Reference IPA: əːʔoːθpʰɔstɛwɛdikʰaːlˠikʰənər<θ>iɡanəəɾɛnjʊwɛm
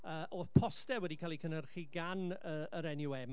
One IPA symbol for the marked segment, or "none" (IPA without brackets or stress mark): χ